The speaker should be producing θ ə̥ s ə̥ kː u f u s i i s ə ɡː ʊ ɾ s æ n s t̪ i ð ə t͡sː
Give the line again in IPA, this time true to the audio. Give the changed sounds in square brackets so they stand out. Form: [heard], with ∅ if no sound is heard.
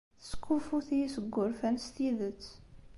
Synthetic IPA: θ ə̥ s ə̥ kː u f u [θ] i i s ə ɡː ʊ ɾ [f] æ n s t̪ i ð ə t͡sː